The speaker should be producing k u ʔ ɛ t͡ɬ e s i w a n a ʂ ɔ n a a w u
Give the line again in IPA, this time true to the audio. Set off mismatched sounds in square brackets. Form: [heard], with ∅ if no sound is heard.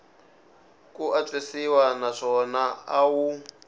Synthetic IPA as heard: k u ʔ [a] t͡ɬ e s i w a n a ʂ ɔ n a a w u